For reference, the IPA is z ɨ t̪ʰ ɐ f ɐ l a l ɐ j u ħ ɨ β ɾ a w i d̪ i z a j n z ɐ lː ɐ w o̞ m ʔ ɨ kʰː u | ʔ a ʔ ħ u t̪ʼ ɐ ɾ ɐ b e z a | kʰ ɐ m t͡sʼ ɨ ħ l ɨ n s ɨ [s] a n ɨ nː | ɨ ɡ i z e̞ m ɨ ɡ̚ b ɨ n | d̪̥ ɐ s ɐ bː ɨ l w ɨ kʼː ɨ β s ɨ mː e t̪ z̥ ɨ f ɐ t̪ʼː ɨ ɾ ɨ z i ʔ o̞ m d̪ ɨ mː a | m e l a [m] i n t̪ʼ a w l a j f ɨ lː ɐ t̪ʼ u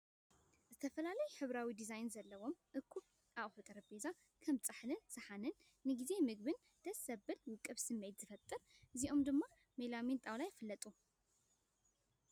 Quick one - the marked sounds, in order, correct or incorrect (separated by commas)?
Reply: incorrect, correct